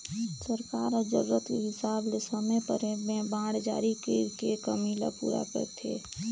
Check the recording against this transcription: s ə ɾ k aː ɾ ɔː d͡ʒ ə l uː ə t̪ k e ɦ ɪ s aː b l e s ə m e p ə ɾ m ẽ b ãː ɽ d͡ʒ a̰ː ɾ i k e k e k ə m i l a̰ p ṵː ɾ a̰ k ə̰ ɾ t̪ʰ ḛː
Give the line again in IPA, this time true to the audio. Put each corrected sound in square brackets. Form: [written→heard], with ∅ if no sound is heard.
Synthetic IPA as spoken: s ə ɾ k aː ɾ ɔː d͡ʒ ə [l→ɾ] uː ə t̪ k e ɦ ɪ s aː b l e s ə m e p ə ɾ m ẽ b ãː ɽ d͡ʒ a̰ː ɾ i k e k e k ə m i l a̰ p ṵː ɾ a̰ k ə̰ ɾ t̪ʰ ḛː